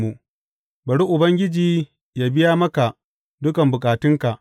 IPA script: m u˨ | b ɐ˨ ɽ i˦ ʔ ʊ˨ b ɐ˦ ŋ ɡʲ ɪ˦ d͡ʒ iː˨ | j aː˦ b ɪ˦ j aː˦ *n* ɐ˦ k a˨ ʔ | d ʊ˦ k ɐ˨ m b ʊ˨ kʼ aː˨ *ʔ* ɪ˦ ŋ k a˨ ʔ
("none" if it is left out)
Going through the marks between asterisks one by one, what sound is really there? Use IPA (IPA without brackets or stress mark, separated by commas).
m, t